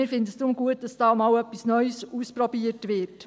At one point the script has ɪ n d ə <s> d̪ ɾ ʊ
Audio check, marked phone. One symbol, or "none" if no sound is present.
s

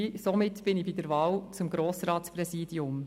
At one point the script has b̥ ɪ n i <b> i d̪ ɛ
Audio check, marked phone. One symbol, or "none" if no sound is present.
b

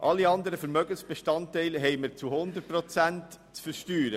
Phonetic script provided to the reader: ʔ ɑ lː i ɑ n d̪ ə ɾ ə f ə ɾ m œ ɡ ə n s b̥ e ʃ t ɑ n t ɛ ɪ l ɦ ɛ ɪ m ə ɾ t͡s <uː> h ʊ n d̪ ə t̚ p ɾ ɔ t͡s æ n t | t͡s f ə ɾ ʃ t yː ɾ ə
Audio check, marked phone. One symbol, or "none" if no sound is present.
u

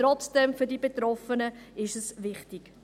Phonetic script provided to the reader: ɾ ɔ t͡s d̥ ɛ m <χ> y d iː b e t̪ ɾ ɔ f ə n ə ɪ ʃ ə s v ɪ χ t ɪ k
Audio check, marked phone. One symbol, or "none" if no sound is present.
f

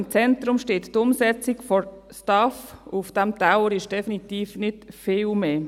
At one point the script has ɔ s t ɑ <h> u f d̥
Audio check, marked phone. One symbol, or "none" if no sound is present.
f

